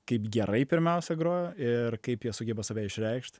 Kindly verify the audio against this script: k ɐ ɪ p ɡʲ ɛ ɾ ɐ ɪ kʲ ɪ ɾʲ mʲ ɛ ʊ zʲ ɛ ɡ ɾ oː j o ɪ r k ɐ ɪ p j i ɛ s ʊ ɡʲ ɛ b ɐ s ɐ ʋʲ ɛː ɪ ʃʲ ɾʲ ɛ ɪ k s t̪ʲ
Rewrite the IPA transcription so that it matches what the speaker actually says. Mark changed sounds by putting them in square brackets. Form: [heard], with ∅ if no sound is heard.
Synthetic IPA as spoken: k ɐ ɪ p ɡʲ ɛ ɾ ɐ ɪ [pʲ] ɪ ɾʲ mʲ ɛ ʊ [sʲ] ɛ ɡ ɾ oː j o ɪ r k ɐ ɪ p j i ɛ s ʊ ɡʲ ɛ b ɐ s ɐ ʋʲ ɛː ɪ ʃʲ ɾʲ ɛ ɪ k [ʃ] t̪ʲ